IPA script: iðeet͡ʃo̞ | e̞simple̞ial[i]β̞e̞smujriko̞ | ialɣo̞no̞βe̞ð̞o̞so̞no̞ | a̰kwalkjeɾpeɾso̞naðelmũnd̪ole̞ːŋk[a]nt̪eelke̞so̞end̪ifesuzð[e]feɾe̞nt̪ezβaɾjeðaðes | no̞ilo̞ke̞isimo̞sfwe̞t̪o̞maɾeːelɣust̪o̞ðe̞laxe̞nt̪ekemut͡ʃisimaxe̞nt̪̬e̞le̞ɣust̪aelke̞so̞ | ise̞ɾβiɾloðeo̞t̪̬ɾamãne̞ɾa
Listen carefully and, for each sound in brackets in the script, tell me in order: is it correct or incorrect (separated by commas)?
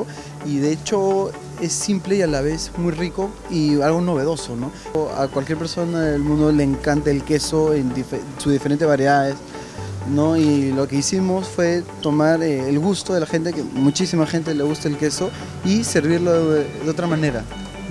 incorrect, correct, incorrect